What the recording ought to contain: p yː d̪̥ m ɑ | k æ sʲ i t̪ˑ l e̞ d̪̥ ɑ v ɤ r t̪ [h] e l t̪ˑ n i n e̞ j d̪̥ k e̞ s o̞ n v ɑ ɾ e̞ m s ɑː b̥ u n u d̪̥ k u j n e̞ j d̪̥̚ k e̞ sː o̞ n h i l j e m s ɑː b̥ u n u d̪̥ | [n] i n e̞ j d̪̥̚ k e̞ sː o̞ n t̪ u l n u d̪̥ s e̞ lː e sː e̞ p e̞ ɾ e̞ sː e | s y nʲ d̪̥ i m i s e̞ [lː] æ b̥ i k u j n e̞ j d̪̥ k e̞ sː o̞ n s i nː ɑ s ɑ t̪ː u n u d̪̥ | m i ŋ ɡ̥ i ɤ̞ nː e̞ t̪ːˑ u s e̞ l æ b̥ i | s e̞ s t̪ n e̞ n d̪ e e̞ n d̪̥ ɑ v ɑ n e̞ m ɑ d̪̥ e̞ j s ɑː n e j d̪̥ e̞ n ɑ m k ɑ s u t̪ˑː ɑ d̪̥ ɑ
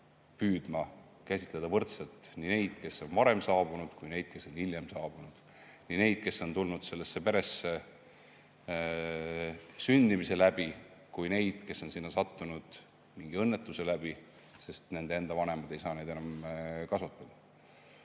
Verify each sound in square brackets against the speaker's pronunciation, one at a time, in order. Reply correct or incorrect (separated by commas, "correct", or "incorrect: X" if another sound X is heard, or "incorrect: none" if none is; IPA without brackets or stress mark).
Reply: incorrect: s, correct, incorrect: l